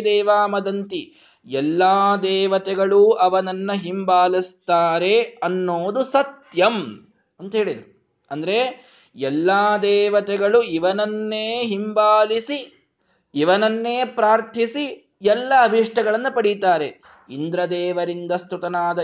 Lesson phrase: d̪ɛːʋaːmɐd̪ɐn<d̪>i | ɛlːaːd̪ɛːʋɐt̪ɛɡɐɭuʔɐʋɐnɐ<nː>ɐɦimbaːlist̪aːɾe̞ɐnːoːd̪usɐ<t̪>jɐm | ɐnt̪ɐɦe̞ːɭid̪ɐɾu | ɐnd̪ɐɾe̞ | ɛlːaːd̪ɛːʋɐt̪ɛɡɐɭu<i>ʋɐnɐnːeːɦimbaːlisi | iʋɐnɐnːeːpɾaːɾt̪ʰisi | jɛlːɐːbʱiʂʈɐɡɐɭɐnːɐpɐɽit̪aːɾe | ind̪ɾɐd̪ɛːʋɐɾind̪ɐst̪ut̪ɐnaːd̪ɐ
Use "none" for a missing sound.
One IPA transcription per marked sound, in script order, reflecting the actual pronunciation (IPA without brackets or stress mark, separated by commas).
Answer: t̪, nː, t̪, i